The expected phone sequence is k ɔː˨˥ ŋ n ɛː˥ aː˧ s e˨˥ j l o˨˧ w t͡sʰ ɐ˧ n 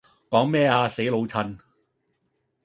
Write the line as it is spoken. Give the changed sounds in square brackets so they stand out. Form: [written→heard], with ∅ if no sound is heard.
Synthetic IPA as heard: k ɔː˨˥ ŋ [n→m] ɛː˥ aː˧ s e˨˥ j l o˨˧ w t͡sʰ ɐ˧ n